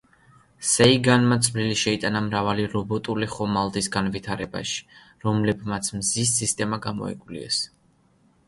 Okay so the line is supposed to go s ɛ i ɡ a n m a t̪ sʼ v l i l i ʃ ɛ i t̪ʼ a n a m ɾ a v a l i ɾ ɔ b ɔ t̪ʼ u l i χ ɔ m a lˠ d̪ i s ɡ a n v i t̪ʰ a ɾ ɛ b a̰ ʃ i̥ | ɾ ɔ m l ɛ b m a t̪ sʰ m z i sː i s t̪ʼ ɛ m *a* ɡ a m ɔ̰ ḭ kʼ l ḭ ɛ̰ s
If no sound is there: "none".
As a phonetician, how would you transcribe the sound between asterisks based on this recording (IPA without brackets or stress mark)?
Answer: a